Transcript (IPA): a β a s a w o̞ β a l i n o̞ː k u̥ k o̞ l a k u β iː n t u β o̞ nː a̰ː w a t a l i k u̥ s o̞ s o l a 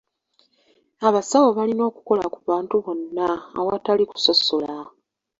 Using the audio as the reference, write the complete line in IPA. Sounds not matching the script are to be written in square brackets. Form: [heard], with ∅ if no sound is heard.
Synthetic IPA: a β a s a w o̞ β a l i n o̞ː k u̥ k o̞ l a k u β [aː] n t u β o̞ nː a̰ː w a t a l i k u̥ s o̞ s o l a